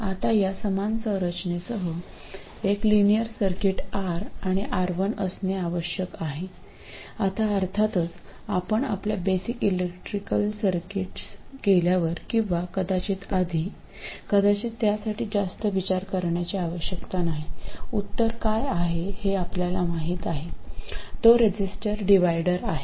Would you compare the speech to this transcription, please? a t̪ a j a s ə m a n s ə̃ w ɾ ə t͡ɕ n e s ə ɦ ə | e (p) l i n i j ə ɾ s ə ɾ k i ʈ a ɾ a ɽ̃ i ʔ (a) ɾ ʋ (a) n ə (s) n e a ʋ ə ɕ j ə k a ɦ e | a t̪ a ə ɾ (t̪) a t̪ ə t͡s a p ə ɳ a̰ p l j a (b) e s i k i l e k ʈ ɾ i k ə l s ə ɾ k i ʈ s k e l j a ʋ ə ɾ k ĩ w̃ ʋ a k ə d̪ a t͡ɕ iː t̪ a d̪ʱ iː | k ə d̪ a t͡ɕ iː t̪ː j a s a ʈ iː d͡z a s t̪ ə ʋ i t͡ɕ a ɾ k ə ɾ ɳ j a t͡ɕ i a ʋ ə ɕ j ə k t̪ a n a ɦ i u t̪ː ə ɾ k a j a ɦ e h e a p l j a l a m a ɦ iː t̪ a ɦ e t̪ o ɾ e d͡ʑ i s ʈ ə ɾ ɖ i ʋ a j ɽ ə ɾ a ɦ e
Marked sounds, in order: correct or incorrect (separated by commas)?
incorrect, correct, incorrect, correct, incorrect, correct